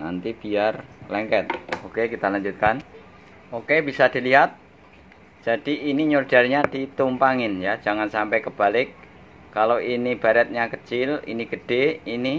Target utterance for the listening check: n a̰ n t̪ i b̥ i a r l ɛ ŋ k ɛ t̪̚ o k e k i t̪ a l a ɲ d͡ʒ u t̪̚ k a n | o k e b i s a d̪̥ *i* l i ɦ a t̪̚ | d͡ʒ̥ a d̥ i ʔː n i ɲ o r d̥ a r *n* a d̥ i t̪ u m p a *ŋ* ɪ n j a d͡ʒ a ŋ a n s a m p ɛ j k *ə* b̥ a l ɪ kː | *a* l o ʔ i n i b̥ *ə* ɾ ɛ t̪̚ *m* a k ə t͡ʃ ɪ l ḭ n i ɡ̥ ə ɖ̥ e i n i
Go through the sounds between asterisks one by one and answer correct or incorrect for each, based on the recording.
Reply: correct, incorrect: ɲ, correct, correct, correct, incorrect: a, incorrect: ɲ

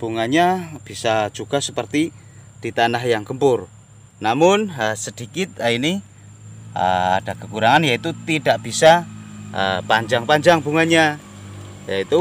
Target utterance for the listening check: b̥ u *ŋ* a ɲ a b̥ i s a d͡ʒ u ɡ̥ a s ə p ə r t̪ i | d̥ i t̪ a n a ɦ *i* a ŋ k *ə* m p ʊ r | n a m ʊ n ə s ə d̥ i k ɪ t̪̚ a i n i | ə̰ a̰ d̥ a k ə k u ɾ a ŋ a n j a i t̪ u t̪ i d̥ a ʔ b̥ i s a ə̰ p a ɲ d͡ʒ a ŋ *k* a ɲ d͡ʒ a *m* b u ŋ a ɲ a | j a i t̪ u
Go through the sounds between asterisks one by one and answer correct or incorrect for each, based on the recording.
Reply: correct, incorrect: j, correct, incorrect: p, incorrect: ŋ

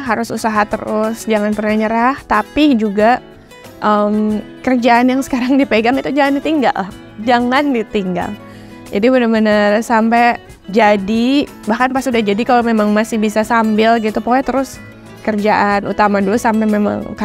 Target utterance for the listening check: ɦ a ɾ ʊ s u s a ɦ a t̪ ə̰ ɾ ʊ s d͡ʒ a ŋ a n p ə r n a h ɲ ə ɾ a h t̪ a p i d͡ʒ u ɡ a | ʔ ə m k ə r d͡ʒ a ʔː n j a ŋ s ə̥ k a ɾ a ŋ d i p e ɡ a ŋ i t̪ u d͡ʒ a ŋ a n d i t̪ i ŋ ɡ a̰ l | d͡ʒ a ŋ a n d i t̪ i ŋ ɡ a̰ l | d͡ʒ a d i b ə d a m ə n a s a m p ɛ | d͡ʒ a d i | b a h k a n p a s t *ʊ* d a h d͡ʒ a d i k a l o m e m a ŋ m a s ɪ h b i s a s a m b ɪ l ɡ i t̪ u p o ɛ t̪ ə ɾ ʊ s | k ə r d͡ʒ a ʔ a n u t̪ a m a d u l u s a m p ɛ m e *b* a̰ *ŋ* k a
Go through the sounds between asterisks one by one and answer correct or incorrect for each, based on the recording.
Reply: incorrect: u, incorrect: m, correct

